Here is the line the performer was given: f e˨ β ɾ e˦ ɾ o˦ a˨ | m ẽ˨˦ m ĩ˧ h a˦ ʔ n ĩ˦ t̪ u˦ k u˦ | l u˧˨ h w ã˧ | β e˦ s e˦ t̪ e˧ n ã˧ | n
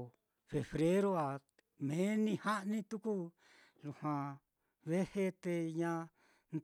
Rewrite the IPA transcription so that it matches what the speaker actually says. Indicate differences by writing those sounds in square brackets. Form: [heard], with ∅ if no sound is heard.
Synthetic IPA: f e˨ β ɾ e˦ ɾ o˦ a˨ | m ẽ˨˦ [n] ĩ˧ h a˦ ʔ n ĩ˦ t̪ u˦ k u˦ | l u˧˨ h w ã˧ | β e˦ [h] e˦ t̪ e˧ [ɲ] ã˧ | n